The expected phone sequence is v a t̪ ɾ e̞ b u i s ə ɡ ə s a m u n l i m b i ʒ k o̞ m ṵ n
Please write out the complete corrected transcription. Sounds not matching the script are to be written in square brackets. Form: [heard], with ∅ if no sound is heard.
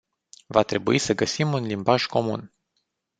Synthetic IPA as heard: v a t̪ ɾ e̞ b u i s ə ɡ ə s [i] m u n l i m b [a] ʒ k o̞ m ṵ n